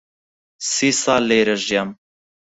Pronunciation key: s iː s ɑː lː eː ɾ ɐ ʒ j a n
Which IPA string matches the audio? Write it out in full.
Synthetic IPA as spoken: s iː s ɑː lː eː ɾ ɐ ʒ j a m